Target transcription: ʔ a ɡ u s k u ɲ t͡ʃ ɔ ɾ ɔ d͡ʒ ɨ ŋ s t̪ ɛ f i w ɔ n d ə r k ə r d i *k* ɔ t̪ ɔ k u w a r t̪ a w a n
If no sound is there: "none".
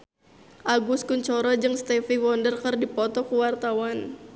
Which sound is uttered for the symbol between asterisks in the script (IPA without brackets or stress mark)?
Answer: p